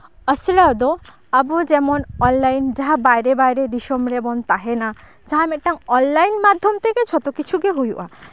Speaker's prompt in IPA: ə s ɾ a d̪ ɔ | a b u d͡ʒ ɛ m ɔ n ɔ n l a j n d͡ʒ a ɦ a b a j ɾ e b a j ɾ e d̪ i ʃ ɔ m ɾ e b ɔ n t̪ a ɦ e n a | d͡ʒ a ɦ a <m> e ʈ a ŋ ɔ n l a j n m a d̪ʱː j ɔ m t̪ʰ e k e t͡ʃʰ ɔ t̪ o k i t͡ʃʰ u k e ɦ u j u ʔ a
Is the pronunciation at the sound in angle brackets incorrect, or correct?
correct